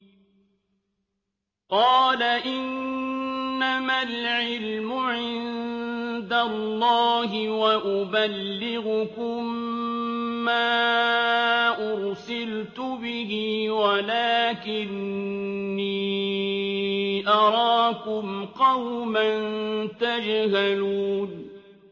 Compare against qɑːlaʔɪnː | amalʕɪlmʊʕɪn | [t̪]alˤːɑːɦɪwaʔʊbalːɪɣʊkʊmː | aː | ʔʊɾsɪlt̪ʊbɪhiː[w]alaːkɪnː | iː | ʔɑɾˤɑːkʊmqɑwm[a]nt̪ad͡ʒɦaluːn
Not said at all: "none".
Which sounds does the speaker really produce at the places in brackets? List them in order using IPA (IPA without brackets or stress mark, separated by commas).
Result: d̪, w, a